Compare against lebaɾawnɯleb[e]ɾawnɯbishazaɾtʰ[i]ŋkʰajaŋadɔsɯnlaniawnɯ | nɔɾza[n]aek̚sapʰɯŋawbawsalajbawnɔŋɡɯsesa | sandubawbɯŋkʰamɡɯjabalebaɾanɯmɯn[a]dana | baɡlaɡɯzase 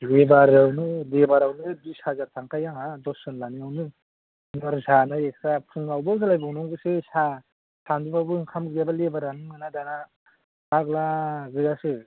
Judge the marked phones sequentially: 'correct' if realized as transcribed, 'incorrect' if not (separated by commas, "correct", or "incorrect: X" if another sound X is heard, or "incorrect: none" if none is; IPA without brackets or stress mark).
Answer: incorrect: a, incorrect: a, correct, correct